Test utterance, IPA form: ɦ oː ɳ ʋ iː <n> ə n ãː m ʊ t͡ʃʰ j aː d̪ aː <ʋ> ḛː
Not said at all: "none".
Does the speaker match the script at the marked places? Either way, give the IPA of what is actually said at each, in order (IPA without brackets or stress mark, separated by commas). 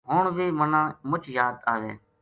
m, ʋ